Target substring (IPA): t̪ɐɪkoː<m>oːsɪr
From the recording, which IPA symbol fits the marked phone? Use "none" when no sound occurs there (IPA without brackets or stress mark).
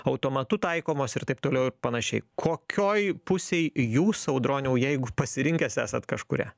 m